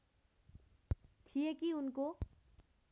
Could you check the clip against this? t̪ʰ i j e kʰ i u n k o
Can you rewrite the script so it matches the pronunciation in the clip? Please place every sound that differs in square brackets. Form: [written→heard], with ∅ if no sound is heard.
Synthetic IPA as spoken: t̪ʰ i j e [kʰ→k] i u n k o